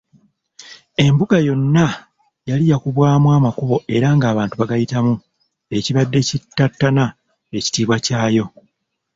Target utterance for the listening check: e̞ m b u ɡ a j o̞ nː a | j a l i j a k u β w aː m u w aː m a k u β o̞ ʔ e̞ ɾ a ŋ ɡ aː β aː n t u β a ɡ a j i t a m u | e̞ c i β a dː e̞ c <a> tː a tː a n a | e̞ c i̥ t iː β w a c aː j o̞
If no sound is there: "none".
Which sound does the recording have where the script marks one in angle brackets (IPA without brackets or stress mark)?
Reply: i